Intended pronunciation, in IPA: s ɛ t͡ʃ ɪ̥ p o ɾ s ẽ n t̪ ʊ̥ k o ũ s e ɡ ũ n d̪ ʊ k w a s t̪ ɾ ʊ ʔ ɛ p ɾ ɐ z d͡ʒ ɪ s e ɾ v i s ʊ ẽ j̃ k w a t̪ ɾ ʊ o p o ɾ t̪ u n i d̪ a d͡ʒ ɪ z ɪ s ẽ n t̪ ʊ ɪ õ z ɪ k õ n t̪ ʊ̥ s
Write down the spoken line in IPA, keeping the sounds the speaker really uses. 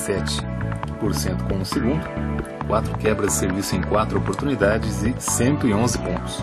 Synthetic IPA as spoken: s ɛ t͡ʃ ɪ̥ p o ɾ s ẽ n t̪ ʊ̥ k õ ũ s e ɡ ũ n d̪ ʊ k w a t̪ ɾ ʊ k ɛ b ɾ ɐ z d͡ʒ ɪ s e ɾ v i s ʊ ẽ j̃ k w a t̪ ɾ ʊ o p o ɾ t̪ u n i d̪ a d͡ʒ ɪ z ɪ s ẽ n t̪ ʊ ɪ õ z ɪ p õ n t̪ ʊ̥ s

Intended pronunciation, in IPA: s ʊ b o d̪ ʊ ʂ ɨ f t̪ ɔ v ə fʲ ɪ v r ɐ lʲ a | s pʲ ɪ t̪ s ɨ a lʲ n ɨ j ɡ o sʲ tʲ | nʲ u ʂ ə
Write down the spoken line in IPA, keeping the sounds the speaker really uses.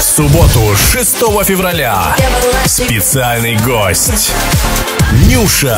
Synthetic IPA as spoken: s ʊ b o t̪ ʊ ʂ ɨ s t̪ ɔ v ə fʲ ɪ v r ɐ lʲ a | s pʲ ɪ t̪ s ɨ a lʲ n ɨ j ɡ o sʲ tʲ | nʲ u ʂ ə

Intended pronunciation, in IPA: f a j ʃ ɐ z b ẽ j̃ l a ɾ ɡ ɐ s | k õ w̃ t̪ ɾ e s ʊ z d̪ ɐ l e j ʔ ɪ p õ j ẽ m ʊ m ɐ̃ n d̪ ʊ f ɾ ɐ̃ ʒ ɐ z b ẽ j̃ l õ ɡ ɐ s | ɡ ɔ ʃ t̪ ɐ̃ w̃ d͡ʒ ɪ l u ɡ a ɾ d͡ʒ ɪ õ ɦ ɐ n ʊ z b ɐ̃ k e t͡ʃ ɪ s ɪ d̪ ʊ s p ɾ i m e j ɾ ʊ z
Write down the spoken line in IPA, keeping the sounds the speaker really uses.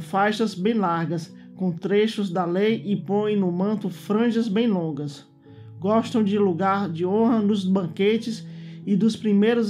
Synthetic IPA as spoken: f a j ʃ ɐ z b ẽ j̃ l a ɾ ɡ ɐ s | k õ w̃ t̪ ɾ e ʃ ʊ z d̪ ɐ l e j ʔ ɪ p õ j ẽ n ʊ m ɐ̃ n t̪ ʊ f ɾ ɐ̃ ʒ ɐ z b ẽ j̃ l õ ɡ ɐ s | ɡ ɔ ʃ t̪ ɐ̃ w̃ d͡ʒ ɪ l u ɡ a ɾ d͡ʒ ɪ õ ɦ ɐ n ʊ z b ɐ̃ k e t͡ʃ ɪ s ɪ d̪ ʊ s p ɾ i m e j ɾ ʊ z

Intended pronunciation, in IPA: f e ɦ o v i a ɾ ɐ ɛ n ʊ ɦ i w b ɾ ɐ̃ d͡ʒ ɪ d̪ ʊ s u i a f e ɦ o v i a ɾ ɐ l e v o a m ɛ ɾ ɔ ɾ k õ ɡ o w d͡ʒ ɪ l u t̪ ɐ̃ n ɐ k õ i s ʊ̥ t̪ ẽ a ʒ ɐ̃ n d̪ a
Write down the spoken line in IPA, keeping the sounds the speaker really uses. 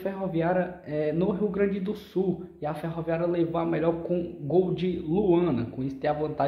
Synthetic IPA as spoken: f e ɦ o v i a ɾ ɐ ɛ n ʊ ɦ i w ɡ ɾ ɐ̃ d͡ʒ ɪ d̪ ʊ s u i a f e ɦ o v i a ɾ ɐ l e v o a m ɛ ʎ ɔ ɾ k õ ɡ o w d͡ʒ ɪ l u ɐ̃ n ɐ k õ i s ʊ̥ t̪ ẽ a v ɐ̃ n t̪ a

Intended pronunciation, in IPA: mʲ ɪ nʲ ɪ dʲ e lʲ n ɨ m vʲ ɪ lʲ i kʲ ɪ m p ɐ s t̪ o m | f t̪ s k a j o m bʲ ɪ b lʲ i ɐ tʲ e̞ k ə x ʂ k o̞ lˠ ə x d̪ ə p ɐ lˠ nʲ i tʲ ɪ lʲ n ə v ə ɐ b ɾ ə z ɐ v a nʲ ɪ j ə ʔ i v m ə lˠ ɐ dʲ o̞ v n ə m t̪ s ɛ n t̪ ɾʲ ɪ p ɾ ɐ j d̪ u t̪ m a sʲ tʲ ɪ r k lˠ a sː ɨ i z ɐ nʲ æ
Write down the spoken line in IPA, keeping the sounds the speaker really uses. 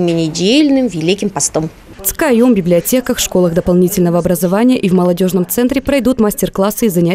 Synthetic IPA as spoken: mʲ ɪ nʲ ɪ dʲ e lʲ n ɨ m vʲ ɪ lʲ i kʲ ɪ m p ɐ s t̪ o m | f t̪ s k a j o m bʲ ɪ b lʲ ɪ ɐ tʲ e̞ k ə x ʂ k o̞ lˠ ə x d̪ ə p ɐ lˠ nʲ i tʲ ɪ lʲ n ə v ə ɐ b ɾ ə z ɐ v a nʲ ɪ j ə ʔ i v m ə lˠ ɐ dʲ o̞ ʐ n ə m t̪ s ɛ n t̪ ɾʲ ɪ p ɾ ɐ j d̪ u t̪ m a sʲ tʲ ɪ r k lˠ a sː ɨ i z ɐ nʲ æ

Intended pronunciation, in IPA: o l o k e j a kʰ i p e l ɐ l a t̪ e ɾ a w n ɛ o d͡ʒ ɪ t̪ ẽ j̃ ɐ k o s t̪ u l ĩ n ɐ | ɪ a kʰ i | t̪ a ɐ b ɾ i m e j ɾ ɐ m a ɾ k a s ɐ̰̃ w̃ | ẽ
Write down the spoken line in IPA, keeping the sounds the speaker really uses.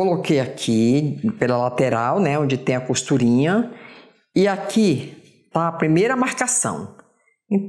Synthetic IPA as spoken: o l o k e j a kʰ i p e l ɐ l a t̪ e ɾ a w n ɛ õ d͡ʒ ɪ t̪ ẽ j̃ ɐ k o s t̪ u ɾ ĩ ɲ ɐ | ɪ a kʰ i | t̪ a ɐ p ɾ i m e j ɾ ɐ m a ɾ k a s ɐ̰̃ w̃ | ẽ

